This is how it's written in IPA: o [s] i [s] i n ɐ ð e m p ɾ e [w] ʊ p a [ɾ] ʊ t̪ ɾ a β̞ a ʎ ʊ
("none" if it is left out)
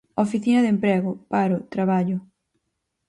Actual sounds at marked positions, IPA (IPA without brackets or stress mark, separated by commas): f, θ, ɣ, ɾ